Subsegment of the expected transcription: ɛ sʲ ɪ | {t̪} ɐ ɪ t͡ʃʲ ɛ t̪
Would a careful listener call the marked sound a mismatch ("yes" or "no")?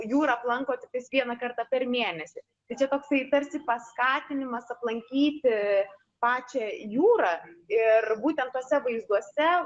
no